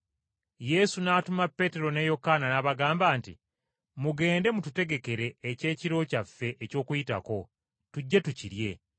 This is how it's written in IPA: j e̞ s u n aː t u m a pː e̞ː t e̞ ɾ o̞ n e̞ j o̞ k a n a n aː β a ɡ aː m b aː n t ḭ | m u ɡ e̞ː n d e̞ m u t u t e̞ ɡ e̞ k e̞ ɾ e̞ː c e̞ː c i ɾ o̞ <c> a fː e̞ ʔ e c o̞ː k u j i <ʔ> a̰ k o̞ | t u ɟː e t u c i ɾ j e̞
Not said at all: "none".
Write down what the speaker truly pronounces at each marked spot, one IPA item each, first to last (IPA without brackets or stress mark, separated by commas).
c, t